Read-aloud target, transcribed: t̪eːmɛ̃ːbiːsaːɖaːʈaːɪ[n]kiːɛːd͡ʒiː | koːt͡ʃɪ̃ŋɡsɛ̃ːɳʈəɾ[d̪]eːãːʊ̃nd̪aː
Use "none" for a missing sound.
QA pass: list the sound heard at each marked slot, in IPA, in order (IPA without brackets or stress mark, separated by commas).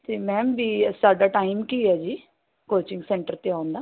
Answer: m, t̪